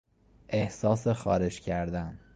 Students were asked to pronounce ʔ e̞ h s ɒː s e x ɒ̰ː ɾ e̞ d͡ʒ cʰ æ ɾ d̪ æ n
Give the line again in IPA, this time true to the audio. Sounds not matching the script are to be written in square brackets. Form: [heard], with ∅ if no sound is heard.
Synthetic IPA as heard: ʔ e̞ h s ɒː s e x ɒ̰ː ɾ e̞ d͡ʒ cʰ æ ɾ d̪ æ n

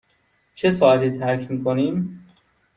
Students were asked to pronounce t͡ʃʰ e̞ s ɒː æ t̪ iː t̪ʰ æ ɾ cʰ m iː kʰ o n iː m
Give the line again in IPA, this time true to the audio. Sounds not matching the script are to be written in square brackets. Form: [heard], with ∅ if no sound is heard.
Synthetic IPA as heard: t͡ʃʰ e̞ s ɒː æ t̪ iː t̪ʰ æ ɾ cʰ m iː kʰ o n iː m

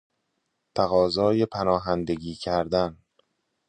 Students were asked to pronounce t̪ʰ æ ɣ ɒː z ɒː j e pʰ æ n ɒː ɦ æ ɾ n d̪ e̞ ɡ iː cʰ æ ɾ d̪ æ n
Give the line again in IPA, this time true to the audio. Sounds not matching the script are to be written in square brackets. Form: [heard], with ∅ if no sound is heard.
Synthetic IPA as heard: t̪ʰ æ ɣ ɒː z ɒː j e pʰ æ n ɒː ɦ æ [∅] n d̪ e̞ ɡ iː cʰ æ ɾ d̪ æ n

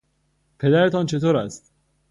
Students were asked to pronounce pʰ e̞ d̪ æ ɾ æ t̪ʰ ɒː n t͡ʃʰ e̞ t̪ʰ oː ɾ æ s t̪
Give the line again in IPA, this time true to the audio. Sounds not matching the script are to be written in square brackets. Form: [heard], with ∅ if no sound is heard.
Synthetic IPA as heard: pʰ e̞ d̪ æ ɾ [e] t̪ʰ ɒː n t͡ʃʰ e̞ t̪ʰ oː ɾ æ s t̪

